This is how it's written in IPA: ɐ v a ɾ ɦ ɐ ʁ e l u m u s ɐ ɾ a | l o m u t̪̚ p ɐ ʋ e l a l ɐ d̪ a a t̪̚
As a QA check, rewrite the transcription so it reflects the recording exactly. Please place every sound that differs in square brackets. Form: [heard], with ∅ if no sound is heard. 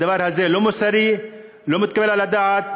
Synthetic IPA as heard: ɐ [ʋ] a ɾ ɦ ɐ [z] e l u m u s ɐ ɾ [i] | l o m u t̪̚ [k] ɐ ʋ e l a l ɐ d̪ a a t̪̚